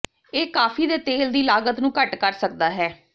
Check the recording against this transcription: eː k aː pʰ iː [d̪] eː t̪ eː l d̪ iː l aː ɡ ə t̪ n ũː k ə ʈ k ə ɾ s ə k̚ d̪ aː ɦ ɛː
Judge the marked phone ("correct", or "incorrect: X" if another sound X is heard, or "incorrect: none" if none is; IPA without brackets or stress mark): correct